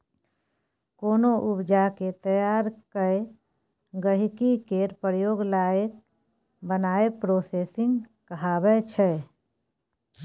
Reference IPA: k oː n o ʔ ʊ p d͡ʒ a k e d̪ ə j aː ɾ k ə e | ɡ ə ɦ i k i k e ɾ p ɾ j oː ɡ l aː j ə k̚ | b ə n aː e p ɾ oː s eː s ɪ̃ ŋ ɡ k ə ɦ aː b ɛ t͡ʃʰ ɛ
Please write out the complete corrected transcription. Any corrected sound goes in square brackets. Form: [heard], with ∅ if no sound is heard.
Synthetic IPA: k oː n o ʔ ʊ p d͡ʒ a k e [t̪] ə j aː ɾ k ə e | ɡ ə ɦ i k i k e ɾ p ɾ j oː ɡ l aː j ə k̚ | b ə n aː e p ɾ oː s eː s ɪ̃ ŋ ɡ k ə ɦ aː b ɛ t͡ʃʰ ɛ